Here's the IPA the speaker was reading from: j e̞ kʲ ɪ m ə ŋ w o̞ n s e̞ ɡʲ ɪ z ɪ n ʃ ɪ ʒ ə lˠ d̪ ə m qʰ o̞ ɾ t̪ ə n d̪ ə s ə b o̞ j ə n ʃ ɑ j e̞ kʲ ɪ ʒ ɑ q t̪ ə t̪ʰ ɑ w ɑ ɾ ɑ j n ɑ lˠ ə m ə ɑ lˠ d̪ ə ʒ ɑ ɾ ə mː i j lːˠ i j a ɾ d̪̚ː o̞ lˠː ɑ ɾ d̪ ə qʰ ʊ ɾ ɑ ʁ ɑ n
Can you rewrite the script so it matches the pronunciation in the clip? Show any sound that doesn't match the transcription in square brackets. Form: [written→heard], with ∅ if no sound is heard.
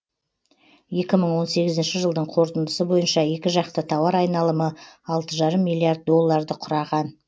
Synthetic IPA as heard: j e̞ kʲ ɪ m ə [ŋ→ɴ] w o̞ n s e̞ ɡʲ ɪ z ɪ n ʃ ɪ ʒ ə lˠ d̪ ə [m→ɴ] qʰ o̞ ɾ t̪ ə n d̪ ə s ə b o̞ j ə n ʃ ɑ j e̞ kʲ ɪ ʒ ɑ q t̪ ə t̪ʰ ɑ w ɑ ɾ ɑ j n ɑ lˠ ə m ə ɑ lˠ [d̪→t̪] ə ʒ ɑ ɾ ə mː i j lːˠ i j a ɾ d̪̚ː o̞ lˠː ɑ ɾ d̪ ə qʰ ʊ ɾ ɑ ʁ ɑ n